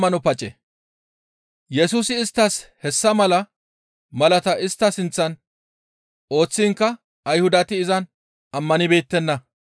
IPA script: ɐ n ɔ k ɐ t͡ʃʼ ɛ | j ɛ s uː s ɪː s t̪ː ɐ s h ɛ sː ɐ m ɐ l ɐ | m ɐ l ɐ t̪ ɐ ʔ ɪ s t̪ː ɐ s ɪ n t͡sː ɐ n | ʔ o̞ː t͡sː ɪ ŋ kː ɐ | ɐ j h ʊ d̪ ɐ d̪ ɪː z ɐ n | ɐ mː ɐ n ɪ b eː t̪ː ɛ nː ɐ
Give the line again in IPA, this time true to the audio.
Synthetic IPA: ɐ n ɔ p ɐ t͡ʃʼ ɛ | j ɛ s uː s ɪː s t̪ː ɐ s h ɛ sː ɐ m ɐ l ɐ | m ɐ l ɐ t̪ ɐ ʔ ɪ s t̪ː ɐ s ɪ n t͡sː ɐ n | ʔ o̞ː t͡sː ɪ ŋ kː ɐ | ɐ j h ʊ d̪ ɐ t̪ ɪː z ɐ n | ɐ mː ɐ n ɪ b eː t̪ː ɛ nː ɐ

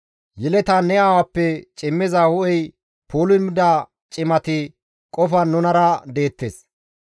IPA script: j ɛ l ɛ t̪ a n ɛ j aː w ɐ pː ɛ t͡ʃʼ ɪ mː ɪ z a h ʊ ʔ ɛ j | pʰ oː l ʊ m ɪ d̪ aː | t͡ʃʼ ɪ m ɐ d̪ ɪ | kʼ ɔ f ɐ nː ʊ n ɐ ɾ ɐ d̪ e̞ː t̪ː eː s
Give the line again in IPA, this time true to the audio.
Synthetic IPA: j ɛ l ɛ t̪ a n ɛ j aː w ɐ pː ɛ t͡ʃʼ ɪ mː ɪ z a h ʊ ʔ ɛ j | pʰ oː l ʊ m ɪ d̪ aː | t͡ʃʼ ɪ m ɐ t̪ ɪ | kʼ ɔ f ɐ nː ʊ n ɐ ɾ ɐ d̪ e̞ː t̪ː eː s

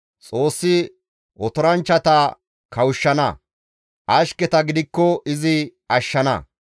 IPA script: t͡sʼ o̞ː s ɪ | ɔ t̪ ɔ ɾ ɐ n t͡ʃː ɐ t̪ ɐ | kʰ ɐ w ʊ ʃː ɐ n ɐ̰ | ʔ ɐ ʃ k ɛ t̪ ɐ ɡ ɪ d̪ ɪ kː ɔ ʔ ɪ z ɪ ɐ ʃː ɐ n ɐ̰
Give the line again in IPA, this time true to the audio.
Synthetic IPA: t͡sʼ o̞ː sː ɪ | ɔ t̪ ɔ ɾ ɐ n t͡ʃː ɐ t̪ ɐ | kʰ ɐ w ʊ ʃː ɐ n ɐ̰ | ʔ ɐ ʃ k ɛ t̪ ɐ ɡ ɪ d̪ ɪ kː ɔ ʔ ɪ z ɪ ɐ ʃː ɐ n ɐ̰

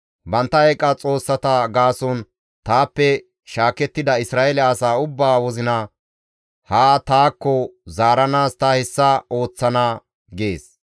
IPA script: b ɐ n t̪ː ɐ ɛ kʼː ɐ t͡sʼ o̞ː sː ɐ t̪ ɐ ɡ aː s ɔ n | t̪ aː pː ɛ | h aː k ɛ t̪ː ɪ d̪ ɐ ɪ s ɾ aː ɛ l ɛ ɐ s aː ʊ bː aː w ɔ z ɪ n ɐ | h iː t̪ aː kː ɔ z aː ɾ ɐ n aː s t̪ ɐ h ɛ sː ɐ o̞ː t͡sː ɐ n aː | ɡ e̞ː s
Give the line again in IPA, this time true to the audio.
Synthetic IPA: b ɐ n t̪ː ɐ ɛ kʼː ɐ t͡sʼ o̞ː sː ɐ t̪ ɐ ɡ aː s ɔ n | t̪ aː pː ɛ | ʃ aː k ɛ t̪ː ɪ d̪ ɐ ɪ s ɾ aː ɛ l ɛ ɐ s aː ʊ bː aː w ɔ z ɪ n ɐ | h aː t̪ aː kː ɔ z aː ɾ ɐ n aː s t̪ ɐ h ɛ sː ɐ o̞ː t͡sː ɐ n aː | ɡ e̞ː s

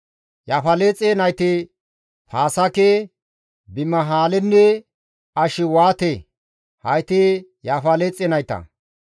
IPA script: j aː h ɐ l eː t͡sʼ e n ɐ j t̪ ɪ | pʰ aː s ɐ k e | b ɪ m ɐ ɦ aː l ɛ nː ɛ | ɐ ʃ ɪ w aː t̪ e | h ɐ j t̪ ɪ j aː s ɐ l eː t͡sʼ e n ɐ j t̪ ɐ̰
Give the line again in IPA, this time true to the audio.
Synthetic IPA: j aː f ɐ l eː t͡sʼ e n ɐ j t̪ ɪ | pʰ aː s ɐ k e | b ɪ m ɐ ɦ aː l ɛ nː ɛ | ɐ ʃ ɪ w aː t̪ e | h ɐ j t̪ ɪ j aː f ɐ l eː t͡sʼ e n ɐ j t̪ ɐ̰

